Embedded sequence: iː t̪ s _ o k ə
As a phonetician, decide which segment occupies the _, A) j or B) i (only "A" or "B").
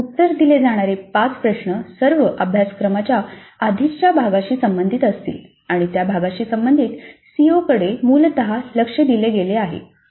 B